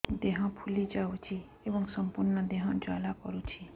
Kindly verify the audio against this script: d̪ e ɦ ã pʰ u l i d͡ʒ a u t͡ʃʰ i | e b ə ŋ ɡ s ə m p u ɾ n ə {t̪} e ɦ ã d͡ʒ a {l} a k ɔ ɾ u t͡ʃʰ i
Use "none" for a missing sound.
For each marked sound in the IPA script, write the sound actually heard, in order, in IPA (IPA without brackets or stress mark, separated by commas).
d̪, l